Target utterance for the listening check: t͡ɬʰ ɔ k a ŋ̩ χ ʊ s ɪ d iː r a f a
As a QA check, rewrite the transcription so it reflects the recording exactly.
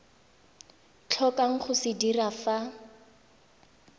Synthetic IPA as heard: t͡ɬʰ ɔ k a ŋ̩ χ ʊ s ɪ d i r a f a